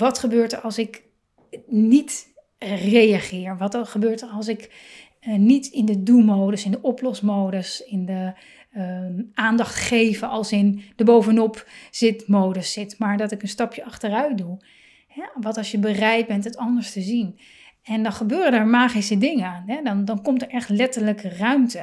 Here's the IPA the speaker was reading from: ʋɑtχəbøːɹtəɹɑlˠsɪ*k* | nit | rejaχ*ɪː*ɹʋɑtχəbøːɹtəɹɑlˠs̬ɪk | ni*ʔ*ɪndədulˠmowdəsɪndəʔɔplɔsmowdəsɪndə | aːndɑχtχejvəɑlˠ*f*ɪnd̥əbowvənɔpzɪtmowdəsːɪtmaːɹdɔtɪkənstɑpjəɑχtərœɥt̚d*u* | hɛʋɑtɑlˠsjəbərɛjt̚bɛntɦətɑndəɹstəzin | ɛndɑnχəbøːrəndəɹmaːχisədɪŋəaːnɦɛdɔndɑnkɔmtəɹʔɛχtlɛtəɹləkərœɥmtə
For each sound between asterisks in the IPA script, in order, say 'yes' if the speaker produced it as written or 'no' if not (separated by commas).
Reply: yes, yes, no, no, yes